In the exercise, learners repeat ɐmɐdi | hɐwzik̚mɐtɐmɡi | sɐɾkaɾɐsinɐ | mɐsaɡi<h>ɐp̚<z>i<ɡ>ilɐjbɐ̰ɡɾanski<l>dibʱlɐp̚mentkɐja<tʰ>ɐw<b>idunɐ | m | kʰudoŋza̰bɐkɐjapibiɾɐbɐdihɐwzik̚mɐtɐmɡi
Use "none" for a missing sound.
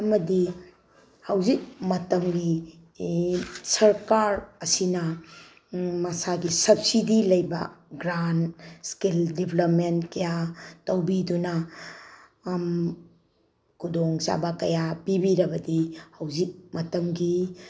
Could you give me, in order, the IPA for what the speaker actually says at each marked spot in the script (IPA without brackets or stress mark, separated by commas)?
s, s, d, l, t, b